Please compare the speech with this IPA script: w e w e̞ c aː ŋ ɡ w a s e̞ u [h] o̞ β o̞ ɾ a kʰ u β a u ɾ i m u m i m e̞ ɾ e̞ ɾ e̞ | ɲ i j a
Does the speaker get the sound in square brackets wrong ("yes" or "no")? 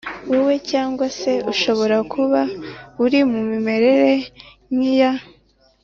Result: yes